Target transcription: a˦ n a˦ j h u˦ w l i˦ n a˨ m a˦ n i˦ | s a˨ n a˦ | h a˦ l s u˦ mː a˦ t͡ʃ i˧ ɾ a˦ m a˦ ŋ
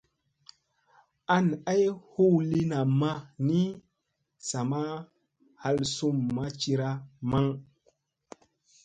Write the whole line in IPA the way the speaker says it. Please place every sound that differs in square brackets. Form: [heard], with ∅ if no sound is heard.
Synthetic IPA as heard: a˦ n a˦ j h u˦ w l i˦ n a˨ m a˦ n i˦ | s a˨ [m] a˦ | h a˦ l s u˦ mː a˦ t͡ʃ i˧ ɾ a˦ m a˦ ŋ